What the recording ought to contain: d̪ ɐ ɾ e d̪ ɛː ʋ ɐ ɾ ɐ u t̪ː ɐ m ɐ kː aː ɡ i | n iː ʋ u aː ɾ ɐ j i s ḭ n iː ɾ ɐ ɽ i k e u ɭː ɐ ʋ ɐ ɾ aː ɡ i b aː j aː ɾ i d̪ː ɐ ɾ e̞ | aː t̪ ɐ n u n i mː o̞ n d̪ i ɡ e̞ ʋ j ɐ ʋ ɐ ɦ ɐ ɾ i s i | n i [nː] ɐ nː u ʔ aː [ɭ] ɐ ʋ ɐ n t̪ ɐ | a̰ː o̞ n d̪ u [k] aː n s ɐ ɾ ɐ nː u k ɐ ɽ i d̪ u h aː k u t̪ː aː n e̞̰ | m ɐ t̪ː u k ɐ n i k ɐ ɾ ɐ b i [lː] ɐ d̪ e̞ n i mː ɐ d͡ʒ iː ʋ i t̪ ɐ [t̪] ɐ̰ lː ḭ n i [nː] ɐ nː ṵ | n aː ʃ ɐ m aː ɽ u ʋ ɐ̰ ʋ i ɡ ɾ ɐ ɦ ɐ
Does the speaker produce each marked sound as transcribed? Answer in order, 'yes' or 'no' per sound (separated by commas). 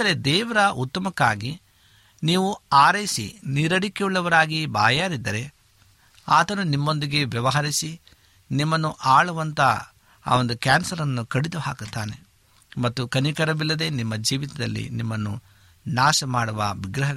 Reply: no, yes, yes, yes, no, no